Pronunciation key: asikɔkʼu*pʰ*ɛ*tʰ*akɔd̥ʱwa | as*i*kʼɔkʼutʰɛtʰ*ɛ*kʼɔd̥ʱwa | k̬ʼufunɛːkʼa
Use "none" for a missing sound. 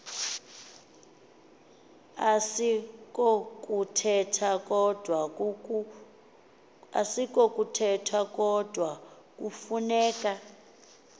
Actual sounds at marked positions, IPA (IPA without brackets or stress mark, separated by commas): tʰ, tʰ, i, a